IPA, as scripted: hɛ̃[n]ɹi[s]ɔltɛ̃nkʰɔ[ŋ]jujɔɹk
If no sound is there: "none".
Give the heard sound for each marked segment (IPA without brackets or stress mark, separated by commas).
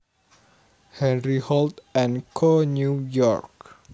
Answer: n, h, n